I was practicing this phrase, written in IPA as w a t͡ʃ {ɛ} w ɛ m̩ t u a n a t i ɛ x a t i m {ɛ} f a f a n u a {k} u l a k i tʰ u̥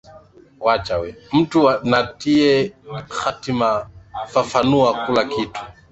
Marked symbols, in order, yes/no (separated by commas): no, no, yes